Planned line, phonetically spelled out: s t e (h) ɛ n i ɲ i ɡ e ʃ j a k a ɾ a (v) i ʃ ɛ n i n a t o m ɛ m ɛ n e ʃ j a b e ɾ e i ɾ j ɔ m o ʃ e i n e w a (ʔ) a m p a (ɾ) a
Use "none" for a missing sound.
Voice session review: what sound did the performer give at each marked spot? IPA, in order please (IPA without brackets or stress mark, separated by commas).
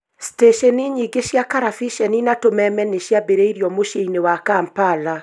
ʃ, f, k, l